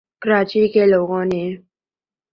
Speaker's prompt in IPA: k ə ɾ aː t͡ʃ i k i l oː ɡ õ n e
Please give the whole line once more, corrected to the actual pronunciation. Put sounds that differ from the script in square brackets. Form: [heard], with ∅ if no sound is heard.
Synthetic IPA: k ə ɾ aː t͡ʃ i k [e] l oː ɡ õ n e